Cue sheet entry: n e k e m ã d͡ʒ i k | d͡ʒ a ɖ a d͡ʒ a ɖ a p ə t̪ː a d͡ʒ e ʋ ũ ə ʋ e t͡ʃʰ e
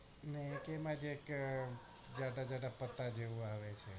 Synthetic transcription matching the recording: n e k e m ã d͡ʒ e k | d͡ʒ a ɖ a d͡ʒ a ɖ a p ə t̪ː a d͡ʒ e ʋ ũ a ʋ e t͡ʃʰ e